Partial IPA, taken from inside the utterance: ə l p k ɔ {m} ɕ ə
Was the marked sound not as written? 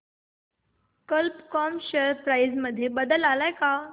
no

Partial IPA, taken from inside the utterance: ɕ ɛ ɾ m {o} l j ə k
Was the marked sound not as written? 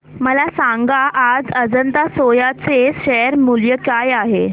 yes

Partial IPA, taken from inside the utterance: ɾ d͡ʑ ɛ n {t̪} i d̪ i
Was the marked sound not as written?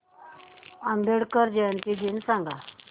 no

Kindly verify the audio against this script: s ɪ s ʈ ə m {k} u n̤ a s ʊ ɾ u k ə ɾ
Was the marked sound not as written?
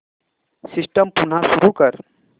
yes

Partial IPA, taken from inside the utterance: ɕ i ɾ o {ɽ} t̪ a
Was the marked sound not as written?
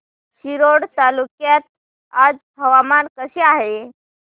no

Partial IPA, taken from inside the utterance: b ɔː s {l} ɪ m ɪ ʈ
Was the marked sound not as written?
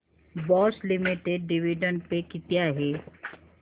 no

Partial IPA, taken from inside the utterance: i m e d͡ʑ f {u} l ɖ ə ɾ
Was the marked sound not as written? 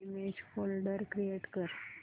yes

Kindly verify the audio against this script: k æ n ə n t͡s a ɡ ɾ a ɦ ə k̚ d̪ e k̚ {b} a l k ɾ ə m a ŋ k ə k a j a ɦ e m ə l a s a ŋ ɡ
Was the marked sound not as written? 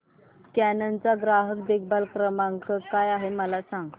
no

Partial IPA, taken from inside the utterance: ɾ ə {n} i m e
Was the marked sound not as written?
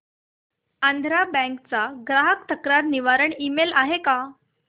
yes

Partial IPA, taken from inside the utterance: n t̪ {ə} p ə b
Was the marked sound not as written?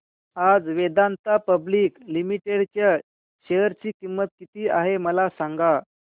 yes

